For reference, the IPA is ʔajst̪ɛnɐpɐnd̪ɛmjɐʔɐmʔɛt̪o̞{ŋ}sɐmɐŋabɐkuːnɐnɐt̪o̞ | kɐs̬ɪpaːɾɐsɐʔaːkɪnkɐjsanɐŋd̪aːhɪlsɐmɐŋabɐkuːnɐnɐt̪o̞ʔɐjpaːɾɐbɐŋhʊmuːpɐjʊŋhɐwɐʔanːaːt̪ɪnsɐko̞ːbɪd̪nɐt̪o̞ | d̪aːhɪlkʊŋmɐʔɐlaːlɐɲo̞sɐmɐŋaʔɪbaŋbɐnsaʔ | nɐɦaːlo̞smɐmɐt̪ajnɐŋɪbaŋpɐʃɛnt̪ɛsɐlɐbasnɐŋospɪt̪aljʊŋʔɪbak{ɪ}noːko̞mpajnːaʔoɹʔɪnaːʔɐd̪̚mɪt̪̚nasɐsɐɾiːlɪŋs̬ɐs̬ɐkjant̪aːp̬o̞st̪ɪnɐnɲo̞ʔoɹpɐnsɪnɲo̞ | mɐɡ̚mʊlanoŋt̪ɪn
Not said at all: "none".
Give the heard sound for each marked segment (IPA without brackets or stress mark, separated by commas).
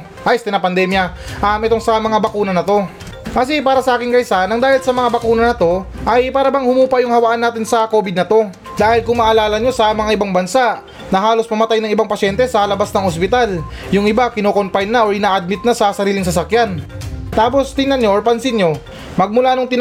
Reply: ŋ, ɪ